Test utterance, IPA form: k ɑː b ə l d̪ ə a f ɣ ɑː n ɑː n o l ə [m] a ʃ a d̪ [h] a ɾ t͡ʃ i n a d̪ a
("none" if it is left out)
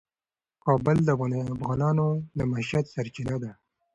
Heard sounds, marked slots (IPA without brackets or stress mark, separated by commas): m, s